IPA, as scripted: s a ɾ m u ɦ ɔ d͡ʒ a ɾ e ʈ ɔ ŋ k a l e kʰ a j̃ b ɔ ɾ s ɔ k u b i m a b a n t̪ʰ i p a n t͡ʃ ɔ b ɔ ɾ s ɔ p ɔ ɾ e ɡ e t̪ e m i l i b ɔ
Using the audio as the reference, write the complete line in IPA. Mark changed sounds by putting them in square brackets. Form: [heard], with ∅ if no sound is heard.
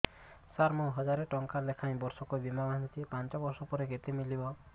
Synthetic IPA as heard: s a ɾ m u ɦ ɔ d͡ʒ a ɾ e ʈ ɔ ŋ k a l e kʰ a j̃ b ɔ ɾ s ɔ k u b i m a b a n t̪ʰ i p a n t͡ʃ ɔ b ɔ ɾ s ɔ p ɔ ɾ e ɡ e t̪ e m i l i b ɔ